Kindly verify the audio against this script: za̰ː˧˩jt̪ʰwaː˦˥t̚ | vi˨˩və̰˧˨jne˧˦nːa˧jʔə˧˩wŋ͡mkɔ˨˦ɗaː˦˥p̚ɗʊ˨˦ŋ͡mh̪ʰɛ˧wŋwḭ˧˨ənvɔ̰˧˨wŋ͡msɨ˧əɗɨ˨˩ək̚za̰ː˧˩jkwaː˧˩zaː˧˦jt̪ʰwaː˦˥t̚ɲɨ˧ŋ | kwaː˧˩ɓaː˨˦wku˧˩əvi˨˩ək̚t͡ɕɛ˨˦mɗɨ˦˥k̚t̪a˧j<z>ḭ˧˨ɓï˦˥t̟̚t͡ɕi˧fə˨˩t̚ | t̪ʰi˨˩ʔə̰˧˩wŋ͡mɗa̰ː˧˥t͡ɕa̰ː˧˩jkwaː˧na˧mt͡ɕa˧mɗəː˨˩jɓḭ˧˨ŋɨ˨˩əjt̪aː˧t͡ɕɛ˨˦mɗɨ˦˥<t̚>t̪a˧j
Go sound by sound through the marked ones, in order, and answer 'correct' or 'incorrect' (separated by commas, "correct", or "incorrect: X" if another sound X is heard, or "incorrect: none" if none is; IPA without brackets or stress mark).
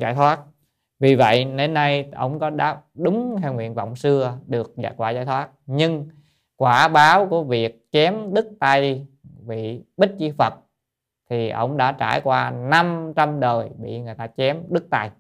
incorrect: v, incorrect: k̚